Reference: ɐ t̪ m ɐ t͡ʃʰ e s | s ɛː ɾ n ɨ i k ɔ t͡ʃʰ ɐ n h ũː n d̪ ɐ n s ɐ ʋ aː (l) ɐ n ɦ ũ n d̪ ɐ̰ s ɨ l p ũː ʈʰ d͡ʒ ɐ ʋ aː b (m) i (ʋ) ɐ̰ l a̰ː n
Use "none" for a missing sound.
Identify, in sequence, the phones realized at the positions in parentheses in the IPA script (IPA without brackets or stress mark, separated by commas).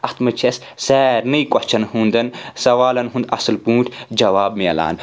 l, m, none